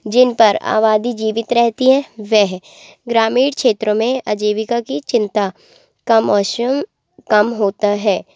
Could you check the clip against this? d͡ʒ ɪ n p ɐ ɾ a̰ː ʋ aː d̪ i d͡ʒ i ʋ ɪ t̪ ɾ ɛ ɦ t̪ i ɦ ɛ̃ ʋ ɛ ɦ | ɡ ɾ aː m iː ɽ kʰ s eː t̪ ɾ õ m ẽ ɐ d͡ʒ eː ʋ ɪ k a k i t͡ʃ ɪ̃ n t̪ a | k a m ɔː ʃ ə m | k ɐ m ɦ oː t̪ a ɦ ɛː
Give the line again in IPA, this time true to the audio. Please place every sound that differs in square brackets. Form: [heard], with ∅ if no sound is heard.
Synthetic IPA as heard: d͡ʒ ɪ n p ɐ ɾ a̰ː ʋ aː d̪ i d͡ʒ [iː] ʋ ɪ t̪ ɾ ɛ ɦ t̪ i ɦ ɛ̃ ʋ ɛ ɦ | ɡ ɾ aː m iː ɽ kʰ [ʃ] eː t̪ ɾ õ m ẽ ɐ d͡ʒ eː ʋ ɪ k a k i t͡ʃ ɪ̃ n t̪ a | k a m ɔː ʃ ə m | k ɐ m ɦ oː t̪ a ɦ ɛː

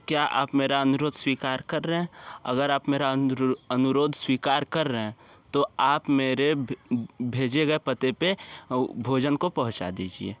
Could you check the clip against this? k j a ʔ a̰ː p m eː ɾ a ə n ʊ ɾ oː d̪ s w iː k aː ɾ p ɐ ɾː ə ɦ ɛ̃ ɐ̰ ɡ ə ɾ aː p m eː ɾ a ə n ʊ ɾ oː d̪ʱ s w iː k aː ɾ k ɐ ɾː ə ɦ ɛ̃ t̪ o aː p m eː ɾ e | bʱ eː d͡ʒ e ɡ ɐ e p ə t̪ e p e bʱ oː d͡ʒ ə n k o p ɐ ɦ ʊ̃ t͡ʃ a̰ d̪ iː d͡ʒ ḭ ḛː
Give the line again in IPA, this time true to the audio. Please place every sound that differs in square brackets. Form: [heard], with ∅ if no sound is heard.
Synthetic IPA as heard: k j a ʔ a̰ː p m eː ɾ a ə n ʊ ɾ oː d̪ s w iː k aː ɾ [k] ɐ ɾː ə ɦ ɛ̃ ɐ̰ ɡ ə ɾ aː p m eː ɾ a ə n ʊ ɾ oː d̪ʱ s w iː k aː ɾ k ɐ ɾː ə ɦ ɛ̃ t̪ o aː p m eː ɾ e | bʱ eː d͡ʒ e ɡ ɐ e p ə t̪ e p e bʱ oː d͡ʒ ə n k o p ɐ ɦ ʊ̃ t͡ʃ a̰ d̪ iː d͡ʒ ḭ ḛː

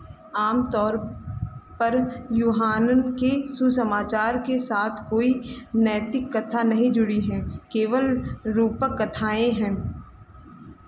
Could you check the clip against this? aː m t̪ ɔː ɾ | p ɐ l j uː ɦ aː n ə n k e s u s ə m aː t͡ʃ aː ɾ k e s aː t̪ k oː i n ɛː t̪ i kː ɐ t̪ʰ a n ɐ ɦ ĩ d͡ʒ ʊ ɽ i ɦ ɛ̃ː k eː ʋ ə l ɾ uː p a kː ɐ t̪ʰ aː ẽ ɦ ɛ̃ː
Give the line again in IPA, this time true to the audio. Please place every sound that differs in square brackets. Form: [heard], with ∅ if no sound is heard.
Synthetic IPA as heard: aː m t̪ ɔː ɾ | p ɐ [ɾ] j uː ɦ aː n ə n k e s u s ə m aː t͡ʃ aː ɾ k e s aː [t̪ʰ] k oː i n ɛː t̪ [ɪ] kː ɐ t̪ʰ a n ɐ ɦ ĩ d͡ʒ ʊ ɽ i ɦ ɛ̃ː k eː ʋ ə l ɾ uː p [ə] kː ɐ t̪ʰ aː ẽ ɦ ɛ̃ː

